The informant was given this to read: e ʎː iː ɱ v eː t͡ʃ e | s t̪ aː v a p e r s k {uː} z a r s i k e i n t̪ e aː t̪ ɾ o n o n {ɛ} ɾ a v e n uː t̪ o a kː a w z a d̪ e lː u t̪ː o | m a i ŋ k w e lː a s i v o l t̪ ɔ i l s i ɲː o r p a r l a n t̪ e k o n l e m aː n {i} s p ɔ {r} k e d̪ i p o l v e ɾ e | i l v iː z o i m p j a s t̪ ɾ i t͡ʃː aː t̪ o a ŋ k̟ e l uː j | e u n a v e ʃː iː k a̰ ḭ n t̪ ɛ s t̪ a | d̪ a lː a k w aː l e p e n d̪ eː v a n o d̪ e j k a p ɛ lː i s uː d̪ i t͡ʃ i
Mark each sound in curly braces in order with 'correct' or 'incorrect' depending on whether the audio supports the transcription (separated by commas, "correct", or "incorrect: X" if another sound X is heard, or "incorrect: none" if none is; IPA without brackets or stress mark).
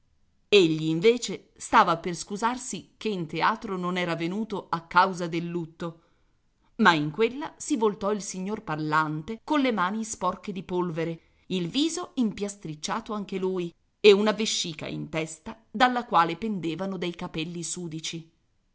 incorrect: u, incorrect: ɛː, correct, correct